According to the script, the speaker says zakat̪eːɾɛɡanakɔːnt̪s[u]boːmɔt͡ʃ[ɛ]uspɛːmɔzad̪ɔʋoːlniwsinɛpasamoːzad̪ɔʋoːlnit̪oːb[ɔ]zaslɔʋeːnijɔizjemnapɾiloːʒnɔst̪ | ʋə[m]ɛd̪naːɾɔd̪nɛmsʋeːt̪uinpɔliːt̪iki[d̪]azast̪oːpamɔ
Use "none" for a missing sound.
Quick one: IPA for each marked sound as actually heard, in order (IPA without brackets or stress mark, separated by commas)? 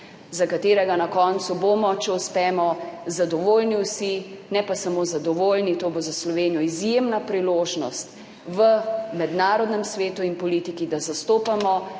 u, ɛ, o, m, d̪